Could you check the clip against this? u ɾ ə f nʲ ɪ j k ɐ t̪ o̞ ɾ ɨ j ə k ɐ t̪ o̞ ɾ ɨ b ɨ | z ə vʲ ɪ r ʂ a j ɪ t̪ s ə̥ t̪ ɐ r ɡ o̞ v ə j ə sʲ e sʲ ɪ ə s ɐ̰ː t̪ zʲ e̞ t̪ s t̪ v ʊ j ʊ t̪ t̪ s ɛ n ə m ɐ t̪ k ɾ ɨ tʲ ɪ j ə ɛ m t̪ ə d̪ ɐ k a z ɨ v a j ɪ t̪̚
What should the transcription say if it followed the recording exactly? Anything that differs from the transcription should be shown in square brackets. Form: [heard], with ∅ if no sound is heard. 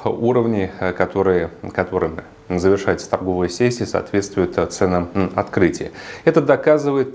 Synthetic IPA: u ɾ ə [v] nʲ ɪ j k ɐ t̪ o̞ ɾ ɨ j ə k ɐ t̪ o̞ ɾ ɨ [m] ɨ | z ə vʲ ɪ r ʂ a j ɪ t̪ s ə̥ t̪ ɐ r ɡ o̞ v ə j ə sʲ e sʲ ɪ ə s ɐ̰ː t̪ [vʲ] e̞ t̪ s t̪ v ʊ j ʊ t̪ t̪ s ɛ n ə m ɐ t̪ k ɾ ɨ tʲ ɪ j ə ɛ [∅] t̪ ə d̪ ɐ k a z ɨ v [ə] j ɪ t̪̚